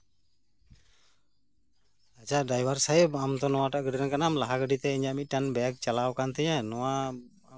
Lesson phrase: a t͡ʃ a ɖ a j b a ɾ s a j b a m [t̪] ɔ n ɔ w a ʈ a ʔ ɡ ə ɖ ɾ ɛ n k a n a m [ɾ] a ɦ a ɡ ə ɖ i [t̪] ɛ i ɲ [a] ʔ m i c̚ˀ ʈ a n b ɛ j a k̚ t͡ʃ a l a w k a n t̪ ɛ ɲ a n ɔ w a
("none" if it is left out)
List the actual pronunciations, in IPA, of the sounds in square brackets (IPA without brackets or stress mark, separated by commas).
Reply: t̪, l, t̪, a